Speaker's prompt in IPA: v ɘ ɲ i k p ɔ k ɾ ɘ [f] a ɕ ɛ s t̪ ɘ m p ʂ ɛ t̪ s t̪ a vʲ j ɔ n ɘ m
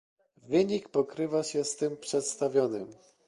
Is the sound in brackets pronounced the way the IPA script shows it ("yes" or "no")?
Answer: no